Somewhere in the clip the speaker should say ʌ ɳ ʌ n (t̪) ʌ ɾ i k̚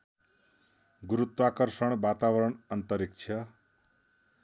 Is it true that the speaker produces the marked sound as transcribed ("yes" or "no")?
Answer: yes